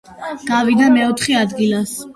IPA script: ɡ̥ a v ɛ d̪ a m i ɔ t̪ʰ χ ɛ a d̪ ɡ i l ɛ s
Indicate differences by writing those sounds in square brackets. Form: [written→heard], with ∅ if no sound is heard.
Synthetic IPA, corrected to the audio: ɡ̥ a v [ɛ→i] d̪ a m [i→ɛ] ɔ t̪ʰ χ ɛ a d̪ ɡ i l [ɛ→a] s